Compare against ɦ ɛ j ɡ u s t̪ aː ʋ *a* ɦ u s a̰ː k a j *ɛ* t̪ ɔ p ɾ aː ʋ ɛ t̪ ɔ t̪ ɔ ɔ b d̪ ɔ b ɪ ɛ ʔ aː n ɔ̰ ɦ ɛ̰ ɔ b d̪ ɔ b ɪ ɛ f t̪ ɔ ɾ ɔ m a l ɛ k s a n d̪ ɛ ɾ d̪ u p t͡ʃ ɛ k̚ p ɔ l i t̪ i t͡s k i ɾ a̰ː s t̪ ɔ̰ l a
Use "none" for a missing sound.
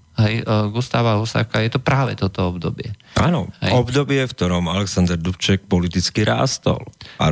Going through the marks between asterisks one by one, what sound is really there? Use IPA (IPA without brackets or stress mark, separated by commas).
a, ɛ